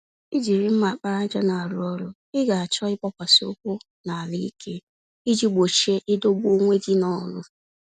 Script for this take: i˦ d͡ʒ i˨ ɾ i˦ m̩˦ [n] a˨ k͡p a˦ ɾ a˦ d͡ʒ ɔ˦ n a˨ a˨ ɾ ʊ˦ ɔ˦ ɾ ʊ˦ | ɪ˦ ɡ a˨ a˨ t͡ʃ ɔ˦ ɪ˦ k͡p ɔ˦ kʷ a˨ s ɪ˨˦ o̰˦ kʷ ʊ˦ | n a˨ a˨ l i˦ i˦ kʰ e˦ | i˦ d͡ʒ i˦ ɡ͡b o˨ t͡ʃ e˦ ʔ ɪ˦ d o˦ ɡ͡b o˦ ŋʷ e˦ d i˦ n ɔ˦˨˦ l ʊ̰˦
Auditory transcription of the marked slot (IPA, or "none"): m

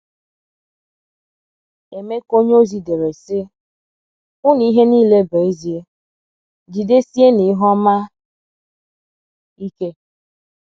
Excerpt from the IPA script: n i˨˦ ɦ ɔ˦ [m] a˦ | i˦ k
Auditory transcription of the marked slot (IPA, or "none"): m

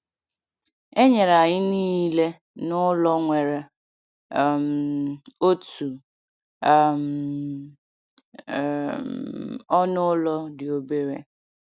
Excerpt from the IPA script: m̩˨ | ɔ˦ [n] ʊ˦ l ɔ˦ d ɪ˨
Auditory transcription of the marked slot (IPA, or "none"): n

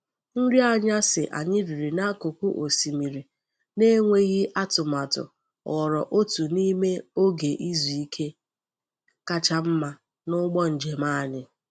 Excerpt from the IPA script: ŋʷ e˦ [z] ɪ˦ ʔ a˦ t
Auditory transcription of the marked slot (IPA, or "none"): ɣ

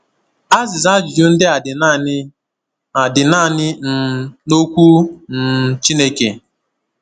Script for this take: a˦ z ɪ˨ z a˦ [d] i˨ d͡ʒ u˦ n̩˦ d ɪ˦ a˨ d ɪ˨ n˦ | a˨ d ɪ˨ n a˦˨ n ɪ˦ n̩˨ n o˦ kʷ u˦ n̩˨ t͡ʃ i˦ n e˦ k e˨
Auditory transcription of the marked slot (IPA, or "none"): d͡ʒ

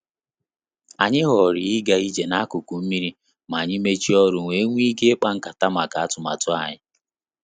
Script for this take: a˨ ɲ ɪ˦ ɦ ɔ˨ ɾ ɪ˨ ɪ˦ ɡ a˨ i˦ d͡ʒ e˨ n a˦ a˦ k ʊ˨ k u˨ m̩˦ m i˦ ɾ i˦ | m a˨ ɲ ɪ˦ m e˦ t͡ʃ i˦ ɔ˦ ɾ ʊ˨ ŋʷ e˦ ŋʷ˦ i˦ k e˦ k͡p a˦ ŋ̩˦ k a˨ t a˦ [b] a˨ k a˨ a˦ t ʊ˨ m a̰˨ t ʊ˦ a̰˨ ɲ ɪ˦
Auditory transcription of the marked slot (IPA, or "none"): m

